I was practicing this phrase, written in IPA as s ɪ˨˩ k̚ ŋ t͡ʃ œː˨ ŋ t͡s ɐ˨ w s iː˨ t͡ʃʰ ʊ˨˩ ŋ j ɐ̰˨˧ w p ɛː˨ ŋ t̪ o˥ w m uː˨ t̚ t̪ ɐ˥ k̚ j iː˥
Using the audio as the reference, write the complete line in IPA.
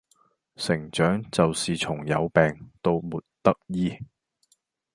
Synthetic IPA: s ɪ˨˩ ŋ t͡ʃ œː˨˥ ŋ t͡s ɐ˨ w s iː˨ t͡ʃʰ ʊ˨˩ ŋ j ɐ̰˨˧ w p ɛː˨ ŋ t̪ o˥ w m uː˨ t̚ t̪ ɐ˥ k̚ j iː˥